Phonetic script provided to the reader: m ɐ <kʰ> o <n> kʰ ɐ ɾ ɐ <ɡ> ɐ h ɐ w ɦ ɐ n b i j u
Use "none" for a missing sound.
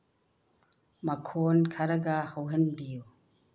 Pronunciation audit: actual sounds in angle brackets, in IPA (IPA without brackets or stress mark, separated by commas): kʰ, n, ɡ